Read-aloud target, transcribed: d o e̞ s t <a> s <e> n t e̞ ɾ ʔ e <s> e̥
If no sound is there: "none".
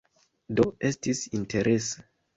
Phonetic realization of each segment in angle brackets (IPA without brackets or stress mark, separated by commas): i, i, s